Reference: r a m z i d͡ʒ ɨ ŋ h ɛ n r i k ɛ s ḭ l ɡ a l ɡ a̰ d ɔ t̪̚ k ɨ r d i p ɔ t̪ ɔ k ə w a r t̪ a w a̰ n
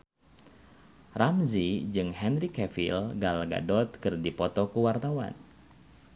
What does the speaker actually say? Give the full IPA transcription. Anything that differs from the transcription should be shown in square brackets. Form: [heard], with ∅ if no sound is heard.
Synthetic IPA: r a m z i d͡ʒ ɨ ŋ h ɛ n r i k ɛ [f] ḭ l ɡ a l ɡ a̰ d ɔ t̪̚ k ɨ r d i p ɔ t̪ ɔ k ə w a r t̪ a w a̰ n

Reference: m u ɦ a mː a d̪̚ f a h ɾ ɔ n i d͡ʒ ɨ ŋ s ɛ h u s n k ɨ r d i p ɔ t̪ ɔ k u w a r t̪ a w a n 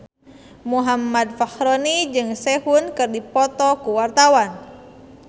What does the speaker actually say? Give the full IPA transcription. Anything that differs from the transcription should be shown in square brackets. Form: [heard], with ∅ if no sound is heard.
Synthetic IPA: m u ɦ a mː a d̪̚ f a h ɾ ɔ n i d͡ʒ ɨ ŋ s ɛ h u [∅] n k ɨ r d i p ɔ t̪ ɔ k u w a r t̪ a w a n

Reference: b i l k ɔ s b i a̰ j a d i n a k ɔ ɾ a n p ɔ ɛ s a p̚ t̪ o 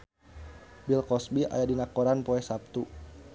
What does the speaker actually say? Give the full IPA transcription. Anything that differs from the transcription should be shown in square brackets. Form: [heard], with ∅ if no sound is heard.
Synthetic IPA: b i l k ɔ s b i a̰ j a d i n a k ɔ ɾ a n p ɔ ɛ s a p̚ t̪ [u]

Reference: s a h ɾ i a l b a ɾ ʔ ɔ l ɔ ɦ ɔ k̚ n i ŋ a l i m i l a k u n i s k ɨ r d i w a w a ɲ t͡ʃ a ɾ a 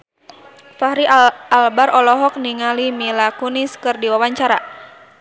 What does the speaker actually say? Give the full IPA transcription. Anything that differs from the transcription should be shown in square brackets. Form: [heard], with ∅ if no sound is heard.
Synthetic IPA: [f] a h ɾ i a l b a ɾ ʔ ɔ l ɔ ɦ ɔ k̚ n i ŋ a l i m i l a k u n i s k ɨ r d i w a w a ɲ t͡ʃ a ɾ a

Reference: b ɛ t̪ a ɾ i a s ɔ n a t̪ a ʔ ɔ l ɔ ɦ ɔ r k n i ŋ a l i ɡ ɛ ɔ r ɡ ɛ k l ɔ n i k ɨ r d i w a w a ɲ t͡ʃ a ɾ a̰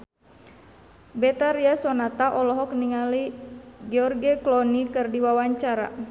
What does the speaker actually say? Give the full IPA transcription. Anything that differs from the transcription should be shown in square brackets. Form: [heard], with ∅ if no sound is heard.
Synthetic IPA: b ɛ t̪ a ɾ i a s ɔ n a t̪ a ʔ ɔ l ɔ ɦ ɔ [∅] k n i ŋ a l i ɡ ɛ ɔ r ɡ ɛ k l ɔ n i k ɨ r d i w a w a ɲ t͡ʃ a ɾ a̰

